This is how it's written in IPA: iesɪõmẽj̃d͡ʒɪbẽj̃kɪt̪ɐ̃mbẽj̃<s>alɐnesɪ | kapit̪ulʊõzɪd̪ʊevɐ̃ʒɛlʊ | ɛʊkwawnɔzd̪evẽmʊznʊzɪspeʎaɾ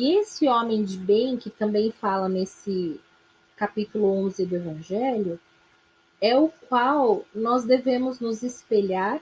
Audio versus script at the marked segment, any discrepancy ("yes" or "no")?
yes